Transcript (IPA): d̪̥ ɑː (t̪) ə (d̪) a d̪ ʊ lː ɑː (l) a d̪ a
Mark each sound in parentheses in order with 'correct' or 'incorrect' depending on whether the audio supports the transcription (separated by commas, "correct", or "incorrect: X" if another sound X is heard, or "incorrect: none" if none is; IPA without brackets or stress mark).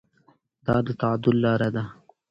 incorrect: d̪, incorrect: t̪, incorrect: ɾ